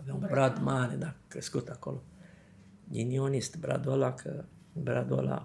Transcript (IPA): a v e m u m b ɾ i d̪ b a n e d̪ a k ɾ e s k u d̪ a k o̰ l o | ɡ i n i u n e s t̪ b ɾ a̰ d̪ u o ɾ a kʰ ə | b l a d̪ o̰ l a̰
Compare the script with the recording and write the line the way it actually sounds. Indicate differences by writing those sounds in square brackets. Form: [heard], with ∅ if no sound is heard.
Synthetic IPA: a v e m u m b ɾ [a] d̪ [m] a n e d̪ a k ɾ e s k u [t̪] a k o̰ l o | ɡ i n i [o] n [i] s t̪ b ɾ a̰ d̪ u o [l] a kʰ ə | b [ɾ] a d̪ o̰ l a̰